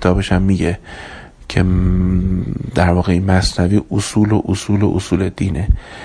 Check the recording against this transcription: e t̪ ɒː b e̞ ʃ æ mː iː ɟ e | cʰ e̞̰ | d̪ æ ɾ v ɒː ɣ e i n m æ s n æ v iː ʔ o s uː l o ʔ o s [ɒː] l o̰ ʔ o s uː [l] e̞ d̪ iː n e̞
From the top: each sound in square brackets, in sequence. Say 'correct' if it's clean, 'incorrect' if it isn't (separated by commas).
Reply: incorrect, correct